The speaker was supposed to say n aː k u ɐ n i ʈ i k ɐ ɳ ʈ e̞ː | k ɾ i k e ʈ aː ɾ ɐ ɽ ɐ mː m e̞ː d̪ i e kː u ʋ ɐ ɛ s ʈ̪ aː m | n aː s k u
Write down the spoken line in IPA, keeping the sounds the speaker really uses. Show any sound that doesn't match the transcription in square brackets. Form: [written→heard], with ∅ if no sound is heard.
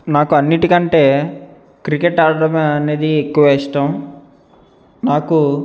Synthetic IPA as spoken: n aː k u ɐ [n→nː] i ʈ i k ɐ ɳ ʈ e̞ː | k ɾ i k e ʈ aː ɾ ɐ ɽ ɐ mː [m→n] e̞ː d̪ i e kː u ʋ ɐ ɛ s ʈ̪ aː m | n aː [s→∅] k u